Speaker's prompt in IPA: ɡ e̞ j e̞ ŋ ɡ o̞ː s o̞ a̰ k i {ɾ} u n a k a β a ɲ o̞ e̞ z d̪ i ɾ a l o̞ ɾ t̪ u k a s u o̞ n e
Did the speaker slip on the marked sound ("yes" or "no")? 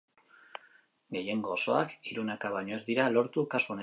no